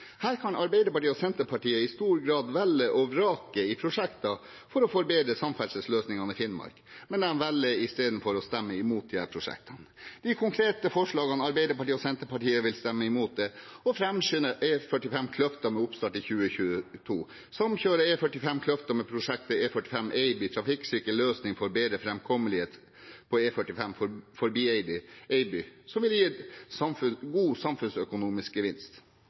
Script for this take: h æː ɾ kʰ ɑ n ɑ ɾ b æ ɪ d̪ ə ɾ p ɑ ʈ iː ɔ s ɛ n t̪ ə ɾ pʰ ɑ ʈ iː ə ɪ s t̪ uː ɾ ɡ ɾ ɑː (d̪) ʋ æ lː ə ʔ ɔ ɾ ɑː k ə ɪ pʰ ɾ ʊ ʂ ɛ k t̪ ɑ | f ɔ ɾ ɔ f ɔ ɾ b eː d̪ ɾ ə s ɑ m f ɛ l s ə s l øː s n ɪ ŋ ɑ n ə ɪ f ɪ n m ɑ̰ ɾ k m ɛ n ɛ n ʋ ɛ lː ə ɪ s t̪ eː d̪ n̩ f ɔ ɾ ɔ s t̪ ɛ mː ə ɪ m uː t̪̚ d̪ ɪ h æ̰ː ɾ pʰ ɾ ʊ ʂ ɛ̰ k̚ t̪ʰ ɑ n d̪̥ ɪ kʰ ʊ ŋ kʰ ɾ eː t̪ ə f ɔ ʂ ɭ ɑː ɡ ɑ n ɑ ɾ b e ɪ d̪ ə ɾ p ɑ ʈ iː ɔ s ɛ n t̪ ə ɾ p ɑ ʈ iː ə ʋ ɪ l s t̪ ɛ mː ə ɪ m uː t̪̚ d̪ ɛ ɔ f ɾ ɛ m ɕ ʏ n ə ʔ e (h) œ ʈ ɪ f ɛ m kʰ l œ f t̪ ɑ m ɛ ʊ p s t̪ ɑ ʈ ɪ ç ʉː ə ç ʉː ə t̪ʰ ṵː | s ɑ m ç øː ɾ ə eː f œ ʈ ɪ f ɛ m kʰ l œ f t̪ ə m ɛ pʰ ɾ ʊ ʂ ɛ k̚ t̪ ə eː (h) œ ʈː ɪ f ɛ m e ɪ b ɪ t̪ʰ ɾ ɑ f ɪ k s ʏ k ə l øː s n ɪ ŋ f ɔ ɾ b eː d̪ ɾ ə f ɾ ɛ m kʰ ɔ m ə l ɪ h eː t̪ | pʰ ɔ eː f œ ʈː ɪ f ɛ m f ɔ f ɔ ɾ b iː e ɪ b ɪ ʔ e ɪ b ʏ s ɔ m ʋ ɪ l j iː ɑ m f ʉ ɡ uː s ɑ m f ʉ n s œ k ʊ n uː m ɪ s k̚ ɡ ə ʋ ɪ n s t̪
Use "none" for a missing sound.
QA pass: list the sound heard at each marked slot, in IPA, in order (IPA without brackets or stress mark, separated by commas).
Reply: d̪, f, f